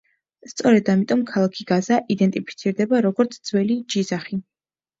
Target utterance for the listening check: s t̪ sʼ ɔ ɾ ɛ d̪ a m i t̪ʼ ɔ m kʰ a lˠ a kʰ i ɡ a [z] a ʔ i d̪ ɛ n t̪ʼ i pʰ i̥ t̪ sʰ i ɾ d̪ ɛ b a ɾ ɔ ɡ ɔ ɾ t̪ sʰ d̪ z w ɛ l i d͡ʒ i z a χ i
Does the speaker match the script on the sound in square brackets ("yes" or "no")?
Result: yes